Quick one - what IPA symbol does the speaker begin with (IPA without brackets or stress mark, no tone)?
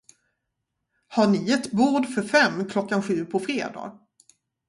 h